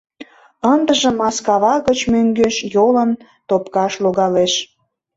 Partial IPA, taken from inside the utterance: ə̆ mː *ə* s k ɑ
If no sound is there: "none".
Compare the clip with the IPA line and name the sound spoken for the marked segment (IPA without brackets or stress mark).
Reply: ɑ